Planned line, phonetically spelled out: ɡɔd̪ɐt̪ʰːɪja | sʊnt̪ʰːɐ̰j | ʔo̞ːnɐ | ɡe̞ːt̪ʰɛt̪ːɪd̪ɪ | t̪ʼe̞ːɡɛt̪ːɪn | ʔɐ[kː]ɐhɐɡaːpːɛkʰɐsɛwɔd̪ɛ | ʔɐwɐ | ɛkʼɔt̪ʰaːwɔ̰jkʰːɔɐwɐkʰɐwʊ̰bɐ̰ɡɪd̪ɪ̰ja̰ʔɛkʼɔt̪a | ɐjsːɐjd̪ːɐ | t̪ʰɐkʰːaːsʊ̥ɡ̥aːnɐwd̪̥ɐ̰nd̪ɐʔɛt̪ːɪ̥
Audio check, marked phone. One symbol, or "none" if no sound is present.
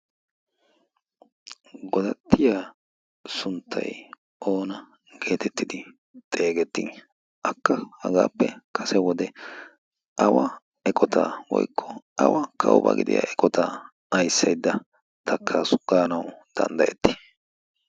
kː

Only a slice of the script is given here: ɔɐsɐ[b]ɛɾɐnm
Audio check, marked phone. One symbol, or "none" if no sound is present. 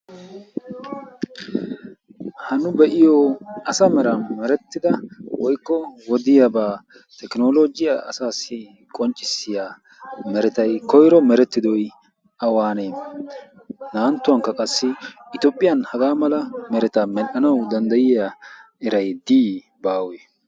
m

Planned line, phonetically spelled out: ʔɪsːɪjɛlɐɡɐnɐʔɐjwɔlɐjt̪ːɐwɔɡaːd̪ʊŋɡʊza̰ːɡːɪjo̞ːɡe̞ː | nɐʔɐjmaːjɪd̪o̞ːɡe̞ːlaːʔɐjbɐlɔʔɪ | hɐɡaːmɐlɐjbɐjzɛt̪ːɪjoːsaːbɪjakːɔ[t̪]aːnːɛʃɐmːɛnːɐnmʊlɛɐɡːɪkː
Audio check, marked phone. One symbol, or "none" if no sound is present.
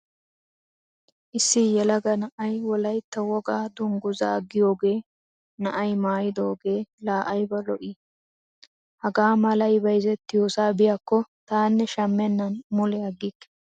t̪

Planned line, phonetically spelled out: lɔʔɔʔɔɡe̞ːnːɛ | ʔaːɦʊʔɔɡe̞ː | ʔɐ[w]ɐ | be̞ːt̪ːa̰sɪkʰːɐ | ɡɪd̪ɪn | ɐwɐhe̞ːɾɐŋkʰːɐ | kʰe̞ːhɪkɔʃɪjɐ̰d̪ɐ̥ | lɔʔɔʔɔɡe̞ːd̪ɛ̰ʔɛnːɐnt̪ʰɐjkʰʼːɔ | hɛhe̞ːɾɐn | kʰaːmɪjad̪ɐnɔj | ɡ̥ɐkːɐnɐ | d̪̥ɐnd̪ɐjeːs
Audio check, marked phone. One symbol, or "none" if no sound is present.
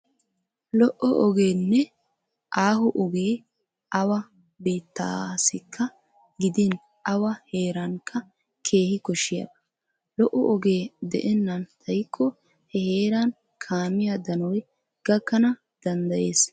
w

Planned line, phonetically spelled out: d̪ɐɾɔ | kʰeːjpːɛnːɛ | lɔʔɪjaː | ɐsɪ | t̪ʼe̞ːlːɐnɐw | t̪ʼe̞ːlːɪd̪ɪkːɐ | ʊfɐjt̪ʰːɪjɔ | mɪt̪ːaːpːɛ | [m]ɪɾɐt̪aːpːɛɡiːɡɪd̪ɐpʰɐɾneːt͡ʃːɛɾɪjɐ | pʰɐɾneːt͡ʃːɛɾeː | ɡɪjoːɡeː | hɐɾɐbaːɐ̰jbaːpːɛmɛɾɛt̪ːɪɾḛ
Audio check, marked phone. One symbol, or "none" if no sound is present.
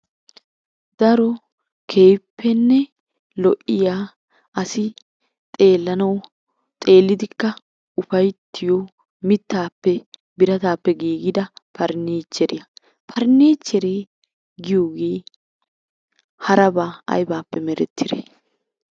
b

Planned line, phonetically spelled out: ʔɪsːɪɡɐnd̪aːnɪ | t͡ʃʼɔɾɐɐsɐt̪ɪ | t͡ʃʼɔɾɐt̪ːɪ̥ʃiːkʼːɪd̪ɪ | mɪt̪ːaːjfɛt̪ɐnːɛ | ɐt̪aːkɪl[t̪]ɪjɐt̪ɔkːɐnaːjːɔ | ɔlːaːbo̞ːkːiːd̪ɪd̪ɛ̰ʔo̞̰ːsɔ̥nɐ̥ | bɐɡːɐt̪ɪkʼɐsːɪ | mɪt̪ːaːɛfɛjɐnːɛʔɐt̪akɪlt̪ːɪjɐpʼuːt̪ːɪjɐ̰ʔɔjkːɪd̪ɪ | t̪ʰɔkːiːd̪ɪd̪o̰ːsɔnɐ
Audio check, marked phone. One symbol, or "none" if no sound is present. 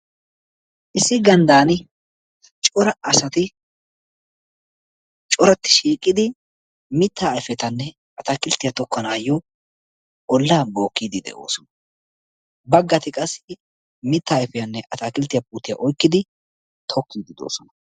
t̪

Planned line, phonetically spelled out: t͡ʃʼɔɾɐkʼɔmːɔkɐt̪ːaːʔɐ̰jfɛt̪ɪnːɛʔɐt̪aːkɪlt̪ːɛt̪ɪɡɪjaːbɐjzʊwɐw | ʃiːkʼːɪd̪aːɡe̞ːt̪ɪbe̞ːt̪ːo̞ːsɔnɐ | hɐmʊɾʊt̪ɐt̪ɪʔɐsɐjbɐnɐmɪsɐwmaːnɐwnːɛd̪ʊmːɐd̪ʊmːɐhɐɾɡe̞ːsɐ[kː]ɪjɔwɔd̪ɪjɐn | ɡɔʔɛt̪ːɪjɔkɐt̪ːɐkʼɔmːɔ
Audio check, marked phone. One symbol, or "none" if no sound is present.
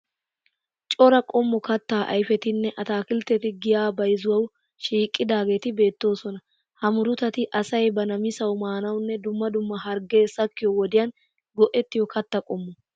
kː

